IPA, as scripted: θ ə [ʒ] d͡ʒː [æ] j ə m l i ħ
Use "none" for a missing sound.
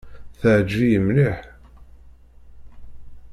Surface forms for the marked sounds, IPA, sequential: ʕ, i

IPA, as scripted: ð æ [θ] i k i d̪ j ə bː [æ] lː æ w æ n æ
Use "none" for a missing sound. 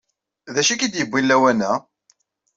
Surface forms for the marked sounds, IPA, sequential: ʃ, i

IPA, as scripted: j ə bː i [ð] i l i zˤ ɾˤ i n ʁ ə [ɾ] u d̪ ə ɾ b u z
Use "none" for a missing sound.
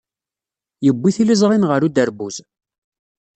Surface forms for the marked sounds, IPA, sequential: θ, ɾ

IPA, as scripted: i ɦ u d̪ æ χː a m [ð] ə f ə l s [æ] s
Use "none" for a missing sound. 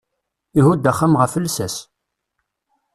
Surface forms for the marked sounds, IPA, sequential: ʁ, æ

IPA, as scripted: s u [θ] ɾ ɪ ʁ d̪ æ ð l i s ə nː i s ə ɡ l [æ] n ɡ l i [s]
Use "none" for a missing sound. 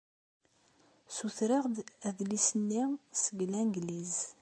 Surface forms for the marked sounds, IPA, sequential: θ, æ, z

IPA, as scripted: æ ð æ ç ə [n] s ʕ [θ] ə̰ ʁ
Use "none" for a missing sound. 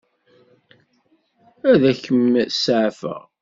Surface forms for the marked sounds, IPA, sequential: m, f

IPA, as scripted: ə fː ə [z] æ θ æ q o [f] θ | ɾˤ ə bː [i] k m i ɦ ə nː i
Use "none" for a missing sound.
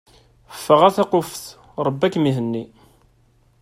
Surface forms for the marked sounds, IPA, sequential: ʁ, f, æ

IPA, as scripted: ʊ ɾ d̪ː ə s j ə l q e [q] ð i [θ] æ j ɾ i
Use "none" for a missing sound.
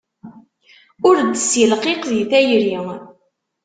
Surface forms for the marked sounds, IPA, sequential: q, θ

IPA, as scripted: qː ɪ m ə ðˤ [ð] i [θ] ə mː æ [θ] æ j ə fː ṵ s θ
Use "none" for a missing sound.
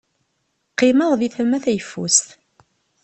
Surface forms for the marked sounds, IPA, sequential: ð, θ, θ

